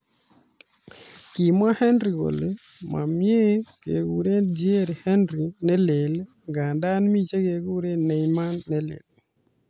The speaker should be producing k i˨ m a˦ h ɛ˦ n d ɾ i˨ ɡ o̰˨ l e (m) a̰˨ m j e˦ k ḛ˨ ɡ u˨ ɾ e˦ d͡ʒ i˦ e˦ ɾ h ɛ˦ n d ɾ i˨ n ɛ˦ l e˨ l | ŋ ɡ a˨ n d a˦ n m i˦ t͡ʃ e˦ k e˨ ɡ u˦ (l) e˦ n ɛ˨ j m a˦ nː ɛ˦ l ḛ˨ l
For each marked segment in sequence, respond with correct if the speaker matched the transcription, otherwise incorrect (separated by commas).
correct, incorrect